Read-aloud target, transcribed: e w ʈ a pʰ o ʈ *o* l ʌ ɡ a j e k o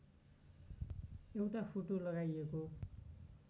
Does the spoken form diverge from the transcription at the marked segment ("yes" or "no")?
no